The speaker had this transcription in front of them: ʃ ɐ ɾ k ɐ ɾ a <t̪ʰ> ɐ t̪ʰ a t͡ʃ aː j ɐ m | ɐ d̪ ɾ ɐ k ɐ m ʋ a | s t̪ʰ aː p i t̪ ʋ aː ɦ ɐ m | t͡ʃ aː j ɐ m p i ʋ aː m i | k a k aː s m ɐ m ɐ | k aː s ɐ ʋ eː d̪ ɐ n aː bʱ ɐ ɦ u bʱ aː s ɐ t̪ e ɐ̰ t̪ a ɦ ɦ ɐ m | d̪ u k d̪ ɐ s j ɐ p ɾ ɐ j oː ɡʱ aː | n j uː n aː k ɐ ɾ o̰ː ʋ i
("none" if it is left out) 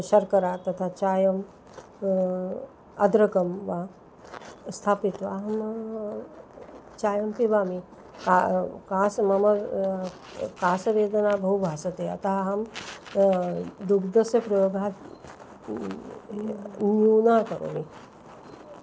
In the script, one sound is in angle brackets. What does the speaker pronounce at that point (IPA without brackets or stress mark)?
t̪